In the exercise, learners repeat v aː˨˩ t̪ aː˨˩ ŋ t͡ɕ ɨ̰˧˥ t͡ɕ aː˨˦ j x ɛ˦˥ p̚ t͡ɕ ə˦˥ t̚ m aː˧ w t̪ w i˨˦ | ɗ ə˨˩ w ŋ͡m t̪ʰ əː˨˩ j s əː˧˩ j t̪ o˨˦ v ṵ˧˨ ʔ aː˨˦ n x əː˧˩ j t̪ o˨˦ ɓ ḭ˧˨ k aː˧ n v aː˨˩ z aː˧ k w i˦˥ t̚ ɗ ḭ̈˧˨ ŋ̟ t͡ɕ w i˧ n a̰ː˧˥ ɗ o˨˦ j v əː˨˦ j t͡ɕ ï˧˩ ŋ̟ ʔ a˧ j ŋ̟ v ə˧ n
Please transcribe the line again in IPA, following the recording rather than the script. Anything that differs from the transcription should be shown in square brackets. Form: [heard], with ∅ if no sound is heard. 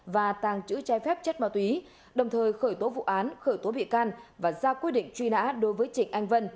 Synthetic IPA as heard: v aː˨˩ t̪ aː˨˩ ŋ t͡ɕ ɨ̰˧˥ t͡ɕ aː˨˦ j [f] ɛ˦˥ p̚ t͡ɕ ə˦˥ t̚ m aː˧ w t̪ w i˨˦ | ɗ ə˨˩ w ŋ͡m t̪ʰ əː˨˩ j [x] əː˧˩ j t̪ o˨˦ v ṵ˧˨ ʔ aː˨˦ n x əː˧˩ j t̪ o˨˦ ɓ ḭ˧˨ k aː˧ n v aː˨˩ z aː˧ k w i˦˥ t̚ ɗ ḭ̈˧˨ ŋ̟ t͡ɕ w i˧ n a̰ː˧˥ ɗ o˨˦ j v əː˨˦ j t͡ɕ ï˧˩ ŋ̟ ʔ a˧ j ŋ̟ v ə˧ n